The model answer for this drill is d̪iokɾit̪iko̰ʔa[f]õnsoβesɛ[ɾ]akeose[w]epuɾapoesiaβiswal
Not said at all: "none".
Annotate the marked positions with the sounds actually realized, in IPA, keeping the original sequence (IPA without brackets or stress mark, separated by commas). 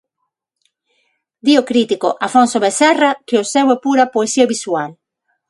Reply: f, r, w